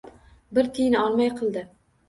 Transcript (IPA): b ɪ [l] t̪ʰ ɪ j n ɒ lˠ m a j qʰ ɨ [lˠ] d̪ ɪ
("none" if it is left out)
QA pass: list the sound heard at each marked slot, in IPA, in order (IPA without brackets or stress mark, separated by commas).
ɾ, lˠ